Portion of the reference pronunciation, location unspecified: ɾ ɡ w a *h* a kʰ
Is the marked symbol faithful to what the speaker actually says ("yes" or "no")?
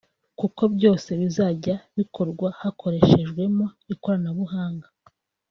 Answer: yes